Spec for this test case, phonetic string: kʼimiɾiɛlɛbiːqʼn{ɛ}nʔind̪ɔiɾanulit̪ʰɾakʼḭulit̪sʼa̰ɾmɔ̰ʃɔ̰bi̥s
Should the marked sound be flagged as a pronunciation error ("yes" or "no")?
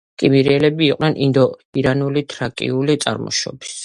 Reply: no